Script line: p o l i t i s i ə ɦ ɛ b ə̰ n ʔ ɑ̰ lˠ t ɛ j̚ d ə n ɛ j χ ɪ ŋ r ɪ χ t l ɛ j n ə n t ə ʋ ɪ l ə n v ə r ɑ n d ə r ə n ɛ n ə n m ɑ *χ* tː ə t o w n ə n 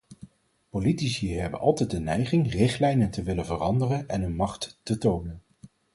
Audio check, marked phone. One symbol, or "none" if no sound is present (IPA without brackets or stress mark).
χ